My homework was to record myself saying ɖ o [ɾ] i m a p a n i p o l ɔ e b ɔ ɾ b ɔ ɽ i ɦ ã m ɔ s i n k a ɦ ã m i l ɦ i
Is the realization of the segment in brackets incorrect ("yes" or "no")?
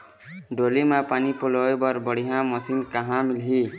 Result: yes